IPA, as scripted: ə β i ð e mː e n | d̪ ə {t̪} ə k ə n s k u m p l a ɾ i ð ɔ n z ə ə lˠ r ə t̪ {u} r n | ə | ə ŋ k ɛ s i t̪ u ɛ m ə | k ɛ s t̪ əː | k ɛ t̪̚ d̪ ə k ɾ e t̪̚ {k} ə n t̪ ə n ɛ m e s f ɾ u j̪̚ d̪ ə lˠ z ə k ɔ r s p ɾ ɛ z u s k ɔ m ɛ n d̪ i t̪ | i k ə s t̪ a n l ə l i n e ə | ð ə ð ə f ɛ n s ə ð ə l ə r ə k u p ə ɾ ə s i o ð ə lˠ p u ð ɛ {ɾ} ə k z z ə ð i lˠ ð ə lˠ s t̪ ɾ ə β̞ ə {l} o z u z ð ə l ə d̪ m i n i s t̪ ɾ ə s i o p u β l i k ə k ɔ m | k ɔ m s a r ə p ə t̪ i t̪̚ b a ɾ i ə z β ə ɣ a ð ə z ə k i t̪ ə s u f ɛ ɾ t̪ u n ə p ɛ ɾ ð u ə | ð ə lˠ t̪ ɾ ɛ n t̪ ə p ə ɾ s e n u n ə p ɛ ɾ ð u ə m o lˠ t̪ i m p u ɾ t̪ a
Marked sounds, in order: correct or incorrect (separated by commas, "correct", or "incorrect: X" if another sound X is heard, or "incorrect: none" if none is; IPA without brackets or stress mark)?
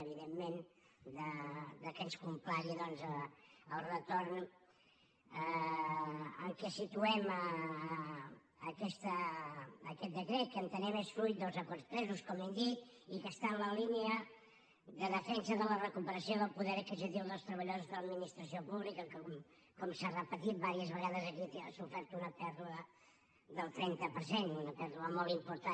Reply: incorrect: d̪, incorrect: o, correct, correct, incorrect: ʎ